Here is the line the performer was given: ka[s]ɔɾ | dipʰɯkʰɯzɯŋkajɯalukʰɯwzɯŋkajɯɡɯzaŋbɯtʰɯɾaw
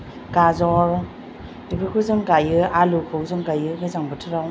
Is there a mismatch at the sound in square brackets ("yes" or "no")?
yes